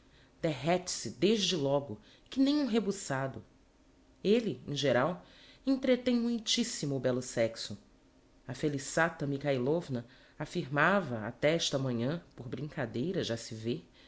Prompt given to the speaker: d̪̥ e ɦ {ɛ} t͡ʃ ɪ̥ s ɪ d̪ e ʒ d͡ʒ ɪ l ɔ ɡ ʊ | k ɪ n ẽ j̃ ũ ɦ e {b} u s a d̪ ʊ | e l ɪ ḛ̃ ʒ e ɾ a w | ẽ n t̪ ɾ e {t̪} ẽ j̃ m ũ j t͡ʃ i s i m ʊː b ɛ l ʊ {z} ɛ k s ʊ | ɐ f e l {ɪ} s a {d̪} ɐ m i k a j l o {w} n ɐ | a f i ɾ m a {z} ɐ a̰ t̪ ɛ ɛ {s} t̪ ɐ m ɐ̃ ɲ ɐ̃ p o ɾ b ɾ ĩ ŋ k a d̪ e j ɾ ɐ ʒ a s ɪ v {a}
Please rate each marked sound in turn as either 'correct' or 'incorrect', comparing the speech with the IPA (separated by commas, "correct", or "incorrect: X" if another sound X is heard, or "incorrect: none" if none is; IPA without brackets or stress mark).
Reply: correct, correct, correct, incorrect: s, incorrect: i, incorrect: t̪, incorrect: v, incorrect: v, incorrect: ʃ, incorrect: e